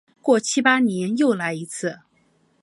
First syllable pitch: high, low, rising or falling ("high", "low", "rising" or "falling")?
falling